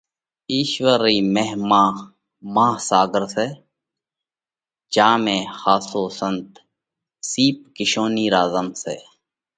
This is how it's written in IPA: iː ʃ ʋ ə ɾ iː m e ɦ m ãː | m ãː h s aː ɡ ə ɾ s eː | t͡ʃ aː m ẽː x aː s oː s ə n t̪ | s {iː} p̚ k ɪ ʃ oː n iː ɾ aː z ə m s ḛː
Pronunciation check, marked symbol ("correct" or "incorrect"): correct